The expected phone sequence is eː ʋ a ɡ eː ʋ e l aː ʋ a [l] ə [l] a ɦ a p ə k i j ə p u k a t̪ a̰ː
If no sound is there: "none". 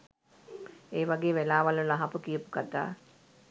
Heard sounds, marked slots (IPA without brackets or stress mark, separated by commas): l, l